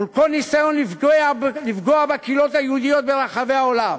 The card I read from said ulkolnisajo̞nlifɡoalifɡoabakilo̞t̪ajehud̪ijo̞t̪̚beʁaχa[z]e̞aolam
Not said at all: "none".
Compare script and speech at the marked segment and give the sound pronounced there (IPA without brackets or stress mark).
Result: v